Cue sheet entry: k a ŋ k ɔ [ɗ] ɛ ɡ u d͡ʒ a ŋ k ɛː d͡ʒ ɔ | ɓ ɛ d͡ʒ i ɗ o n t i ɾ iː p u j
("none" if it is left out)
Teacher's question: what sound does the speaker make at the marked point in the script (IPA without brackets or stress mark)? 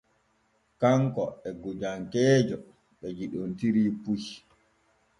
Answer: none